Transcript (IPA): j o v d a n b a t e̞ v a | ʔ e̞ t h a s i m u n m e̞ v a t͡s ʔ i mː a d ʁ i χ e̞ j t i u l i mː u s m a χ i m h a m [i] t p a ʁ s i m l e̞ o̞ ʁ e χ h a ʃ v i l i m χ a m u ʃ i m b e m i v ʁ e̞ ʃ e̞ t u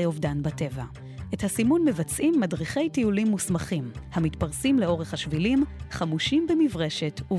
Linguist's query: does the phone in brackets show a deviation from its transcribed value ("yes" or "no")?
no